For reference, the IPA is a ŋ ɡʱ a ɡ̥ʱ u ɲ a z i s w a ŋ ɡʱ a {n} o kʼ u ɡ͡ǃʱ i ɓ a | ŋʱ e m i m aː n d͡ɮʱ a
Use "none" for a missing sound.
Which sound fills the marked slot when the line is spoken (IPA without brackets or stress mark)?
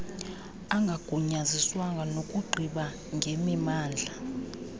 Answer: n